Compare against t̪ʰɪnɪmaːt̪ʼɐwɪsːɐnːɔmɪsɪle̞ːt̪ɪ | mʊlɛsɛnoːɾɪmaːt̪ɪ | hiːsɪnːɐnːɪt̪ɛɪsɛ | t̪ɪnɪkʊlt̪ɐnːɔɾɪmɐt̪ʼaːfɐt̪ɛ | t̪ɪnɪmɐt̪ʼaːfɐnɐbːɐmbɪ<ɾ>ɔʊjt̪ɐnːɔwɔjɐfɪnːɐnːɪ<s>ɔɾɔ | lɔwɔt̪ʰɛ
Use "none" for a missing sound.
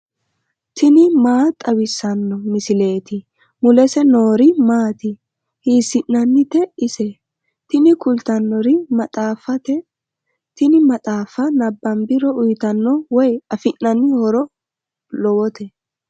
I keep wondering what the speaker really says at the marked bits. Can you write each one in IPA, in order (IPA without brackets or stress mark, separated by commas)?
ɾ, h